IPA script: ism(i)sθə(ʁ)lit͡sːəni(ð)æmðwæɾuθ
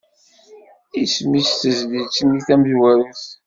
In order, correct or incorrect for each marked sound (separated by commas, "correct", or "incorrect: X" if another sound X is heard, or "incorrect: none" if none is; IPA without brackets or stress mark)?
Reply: correct, incorrect: z, incorrect: θ